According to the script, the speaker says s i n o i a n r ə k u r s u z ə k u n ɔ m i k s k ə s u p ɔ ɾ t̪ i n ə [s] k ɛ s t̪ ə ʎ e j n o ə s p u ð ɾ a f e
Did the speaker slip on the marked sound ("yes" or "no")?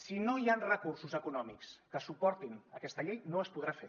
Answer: yes